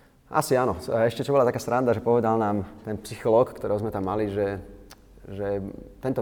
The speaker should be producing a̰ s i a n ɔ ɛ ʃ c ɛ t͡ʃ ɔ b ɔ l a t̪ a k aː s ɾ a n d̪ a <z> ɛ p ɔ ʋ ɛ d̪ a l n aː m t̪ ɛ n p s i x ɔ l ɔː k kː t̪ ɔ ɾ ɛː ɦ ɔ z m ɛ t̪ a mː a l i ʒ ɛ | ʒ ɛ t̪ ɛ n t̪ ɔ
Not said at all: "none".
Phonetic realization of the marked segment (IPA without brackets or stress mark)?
ʒ